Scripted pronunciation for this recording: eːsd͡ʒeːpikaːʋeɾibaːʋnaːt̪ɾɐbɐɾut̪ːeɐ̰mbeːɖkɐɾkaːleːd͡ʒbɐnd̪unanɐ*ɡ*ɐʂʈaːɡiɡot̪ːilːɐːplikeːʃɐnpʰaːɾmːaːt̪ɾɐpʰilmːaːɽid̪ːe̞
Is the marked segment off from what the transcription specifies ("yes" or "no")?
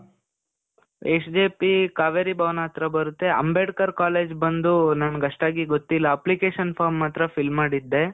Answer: no